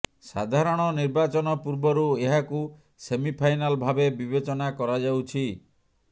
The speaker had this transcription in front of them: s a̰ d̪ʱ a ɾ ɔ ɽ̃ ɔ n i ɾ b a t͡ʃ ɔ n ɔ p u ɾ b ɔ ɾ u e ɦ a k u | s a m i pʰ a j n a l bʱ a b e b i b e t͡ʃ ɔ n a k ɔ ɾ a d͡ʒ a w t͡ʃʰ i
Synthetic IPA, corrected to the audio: s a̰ d̪ʱ a ɾ ɔ ɽ̃ ɔ n i ɾ b a t͡ʃ ɔ n ɔ p u ɾ b ɔ ɾ u e ɦ a k u | s e m i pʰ a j n a l bʱ a b e b i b e t͡ʃ ɔ n a k ɔ ɾ a d͡ʒ a w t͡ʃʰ i